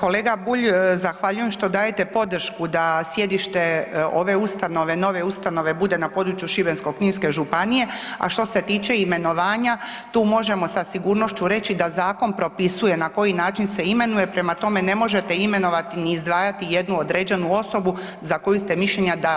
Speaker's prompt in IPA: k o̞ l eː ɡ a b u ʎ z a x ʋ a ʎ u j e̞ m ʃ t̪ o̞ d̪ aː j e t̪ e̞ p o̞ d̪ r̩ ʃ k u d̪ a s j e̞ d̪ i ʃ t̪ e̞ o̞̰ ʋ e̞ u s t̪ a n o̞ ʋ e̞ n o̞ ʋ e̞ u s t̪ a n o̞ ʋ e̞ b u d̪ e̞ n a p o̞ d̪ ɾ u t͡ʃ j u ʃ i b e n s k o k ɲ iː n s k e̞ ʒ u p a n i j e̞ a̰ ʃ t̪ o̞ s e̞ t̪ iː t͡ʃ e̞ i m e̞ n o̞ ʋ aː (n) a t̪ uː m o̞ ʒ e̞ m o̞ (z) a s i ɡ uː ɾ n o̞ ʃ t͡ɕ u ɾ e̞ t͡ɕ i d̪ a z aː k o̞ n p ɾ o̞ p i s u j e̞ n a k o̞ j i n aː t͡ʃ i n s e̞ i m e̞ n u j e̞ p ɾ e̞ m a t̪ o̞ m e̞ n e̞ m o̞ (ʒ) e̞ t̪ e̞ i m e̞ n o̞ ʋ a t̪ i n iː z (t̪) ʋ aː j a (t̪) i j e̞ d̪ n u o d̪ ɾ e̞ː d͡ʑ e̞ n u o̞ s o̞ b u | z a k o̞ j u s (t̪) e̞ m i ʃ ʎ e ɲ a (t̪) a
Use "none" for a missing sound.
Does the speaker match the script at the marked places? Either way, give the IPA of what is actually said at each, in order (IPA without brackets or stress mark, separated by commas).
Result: ɲ, s, ʒ, d̪, t̪, t̪, d̪